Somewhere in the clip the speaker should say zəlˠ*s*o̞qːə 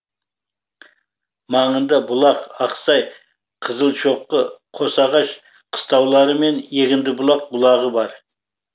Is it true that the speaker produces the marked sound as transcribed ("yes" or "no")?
no